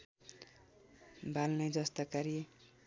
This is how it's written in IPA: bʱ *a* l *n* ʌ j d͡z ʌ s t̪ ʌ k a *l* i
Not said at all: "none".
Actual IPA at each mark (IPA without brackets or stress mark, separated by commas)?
a, n, ɾ